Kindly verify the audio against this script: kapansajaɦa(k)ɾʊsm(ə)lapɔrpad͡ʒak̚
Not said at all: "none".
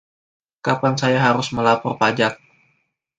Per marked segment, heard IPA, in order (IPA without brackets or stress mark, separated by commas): none, ə